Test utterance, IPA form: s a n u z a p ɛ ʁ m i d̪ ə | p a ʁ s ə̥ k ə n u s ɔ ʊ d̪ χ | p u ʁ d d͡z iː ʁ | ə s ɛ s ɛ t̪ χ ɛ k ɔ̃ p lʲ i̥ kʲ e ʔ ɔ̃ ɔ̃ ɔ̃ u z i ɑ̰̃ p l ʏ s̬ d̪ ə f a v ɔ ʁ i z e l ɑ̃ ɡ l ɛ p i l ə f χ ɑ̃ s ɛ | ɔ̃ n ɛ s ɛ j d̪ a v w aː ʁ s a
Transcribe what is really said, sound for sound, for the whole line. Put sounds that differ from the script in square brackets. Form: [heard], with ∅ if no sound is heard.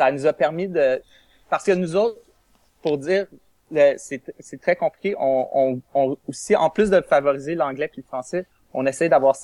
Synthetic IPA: s a n u z a p ɛ ʁ m i d̪ ə | p a ʁ s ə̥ k ə n u [z] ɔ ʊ [t̪] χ | p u ʁ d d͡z iː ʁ | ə s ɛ s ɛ t̪ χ ɛ k ɔ̃ p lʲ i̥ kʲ e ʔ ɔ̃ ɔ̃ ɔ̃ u [s] i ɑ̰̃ p l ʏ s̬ d̪ ə f a v ɔ ʁ i z e l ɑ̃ ɡ l ɛ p i l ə f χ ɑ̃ s ɛ | ɔ̃ n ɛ s ɛ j d̪ a v w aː ʁ s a